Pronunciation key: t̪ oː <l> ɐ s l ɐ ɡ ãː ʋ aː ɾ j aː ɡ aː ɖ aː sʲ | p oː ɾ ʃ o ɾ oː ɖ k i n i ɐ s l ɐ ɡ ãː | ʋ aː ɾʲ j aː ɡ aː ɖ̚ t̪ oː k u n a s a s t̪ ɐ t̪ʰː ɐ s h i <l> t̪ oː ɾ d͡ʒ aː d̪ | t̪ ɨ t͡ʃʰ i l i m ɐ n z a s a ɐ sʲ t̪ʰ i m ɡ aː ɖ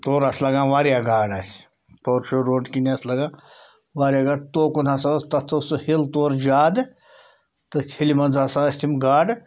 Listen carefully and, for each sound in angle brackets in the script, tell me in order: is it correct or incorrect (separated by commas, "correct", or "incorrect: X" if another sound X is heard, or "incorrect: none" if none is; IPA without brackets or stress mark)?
incorrect: ɾ, correct